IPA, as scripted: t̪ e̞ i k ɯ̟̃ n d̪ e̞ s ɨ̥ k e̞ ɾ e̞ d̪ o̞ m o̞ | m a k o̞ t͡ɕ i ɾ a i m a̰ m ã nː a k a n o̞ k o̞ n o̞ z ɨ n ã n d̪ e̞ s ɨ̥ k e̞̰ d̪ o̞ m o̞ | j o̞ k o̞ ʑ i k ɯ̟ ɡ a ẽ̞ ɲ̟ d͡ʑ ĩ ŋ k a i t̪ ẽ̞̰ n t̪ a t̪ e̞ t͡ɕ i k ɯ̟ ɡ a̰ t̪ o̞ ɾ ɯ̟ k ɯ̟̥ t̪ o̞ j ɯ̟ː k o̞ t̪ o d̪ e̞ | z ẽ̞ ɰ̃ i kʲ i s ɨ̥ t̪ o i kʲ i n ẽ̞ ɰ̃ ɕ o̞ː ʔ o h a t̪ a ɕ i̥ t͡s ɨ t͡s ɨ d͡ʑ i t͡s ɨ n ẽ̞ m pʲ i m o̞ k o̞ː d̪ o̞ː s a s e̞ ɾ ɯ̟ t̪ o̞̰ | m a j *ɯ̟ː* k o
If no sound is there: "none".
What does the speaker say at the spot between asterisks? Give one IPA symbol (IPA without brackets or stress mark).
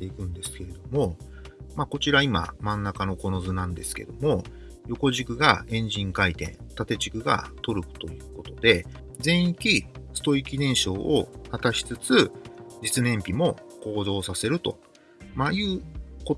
ɯ̟ː